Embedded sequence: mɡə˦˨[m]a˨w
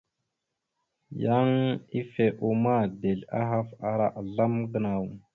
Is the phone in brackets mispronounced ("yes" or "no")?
yes